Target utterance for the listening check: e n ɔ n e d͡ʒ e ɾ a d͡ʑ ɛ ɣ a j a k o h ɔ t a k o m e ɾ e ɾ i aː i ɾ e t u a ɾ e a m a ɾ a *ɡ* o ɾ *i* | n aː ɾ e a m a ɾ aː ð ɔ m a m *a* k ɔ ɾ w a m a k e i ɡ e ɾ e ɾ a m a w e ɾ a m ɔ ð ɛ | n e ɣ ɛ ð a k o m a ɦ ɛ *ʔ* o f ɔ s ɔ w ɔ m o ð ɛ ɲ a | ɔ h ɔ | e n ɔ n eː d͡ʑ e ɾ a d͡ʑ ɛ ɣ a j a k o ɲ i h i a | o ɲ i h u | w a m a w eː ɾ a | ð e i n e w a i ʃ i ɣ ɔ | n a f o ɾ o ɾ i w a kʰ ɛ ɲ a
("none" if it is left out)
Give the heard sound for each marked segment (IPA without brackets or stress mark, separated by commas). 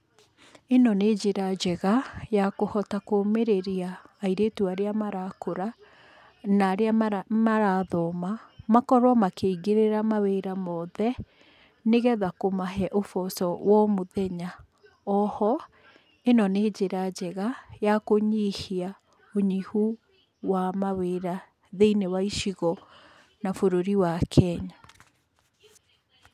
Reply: k, a, a, ʔ